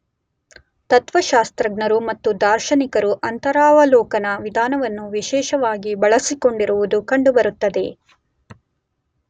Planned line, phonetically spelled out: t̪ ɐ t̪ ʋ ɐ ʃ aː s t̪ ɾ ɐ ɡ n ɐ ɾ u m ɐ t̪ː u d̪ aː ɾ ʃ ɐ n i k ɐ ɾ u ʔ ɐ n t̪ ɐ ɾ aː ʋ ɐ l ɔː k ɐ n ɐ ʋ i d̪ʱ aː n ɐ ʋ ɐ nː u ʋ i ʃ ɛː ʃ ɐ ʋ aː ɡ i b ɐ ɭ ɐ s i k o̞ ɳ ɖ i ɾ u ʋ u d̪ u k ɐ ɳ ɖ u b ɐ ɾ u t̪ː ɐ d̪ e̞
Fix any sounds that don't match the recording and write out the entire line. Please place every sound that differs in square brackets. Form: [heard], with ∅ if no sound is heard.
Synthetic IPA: t̪ ɐ t̪ ʋ ɐ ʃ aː s t̪ ɾ ɐ ɡ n ɐ ɾ u m ɐ t̪ː u d̪ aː ɾ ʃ ɐ n i k ɐ ɾ u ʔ ɐ n t̪ ɐ ɾ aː ʋ ɐ l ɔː k ɐ n ɐ ʋ i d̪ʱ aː n ɐ ʋ ɐ nː u ʋ i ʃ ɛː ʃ ɐ ʋ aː ɡ i b ɐ ɭ ɐ s i k o̞ ɳ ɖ i ɾ u ʋ u d̪ u k ɐ ɳ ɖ u b ɐ ɾ u t̪ː ɐ d̪ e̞